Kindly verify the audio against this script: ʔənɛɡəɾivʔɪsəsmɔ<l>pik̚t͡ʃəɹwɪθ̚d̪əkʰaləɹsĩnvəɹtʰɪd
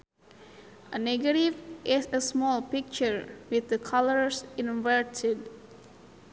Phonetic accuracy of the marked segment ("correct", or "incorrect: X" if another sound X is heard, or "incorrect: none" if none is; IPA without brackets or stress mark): correct